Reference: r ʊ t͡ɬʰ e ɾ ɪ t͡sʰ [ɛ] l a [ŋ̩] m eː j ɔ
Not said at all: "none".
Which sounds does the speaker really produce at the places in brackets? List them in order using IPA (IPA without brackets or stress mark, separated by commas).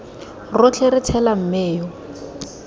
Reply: ɛ, m̩